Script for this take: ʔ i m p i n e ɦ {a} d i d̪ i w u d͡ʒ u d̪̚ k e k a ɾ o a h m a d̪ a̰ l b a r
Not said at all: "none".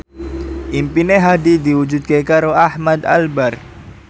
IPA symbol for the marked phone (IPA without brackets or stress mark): a